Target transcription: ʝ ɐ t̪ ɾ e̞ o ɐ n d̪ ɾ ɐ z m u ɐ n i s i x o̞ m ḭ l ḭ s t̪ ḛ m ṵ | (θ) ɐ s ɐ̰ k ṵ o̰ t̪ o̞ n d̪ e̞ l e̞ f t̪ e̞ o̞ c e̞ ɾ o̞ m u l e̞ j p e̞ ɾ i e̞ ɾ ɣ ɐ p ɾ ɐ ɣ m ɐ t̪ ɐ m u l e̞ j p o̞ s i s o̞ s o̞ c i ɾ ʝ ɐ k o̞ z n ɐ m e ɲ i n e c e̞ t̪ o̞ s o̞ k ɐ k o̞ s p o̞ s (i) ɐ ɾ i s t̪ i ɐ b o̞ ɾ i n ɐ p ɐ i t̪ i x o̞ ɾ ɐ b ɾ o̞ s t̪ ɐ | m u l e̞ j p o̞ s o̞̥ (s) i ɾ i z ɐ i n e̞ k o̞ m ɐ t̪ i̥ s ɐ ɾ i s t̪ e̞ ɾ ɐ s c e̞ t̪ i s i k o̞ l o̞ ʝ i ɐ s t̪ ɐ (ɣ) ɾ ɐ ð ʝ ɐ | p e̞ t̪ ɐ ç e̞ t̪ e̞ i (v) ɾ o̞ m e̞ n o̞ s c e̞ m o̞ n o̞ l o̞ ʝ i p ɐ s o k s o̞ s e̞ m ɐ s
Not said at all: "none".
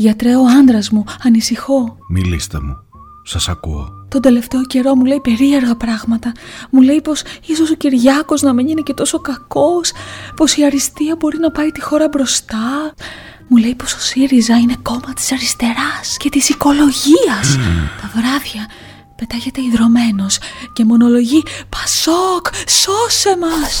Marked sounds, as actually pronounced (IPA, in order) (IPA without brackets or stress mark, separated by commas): s, i, s, v, ð